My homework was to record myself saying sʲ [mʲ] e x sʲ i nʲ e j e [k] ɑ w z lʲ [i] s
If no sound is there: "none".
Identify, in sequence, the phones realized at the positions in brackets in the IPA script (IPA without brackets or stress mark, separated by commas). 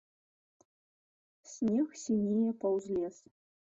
nʲ, p, e